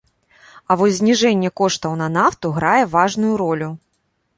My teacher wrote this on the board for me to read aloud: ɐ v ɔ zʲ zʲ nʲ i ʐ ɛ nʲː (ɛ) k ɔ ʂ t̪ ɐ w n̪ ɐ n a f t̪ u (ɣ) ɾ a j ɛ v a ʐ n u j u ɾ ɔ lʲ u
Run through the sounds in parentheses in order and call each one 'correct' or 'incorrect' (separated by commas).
correct, correct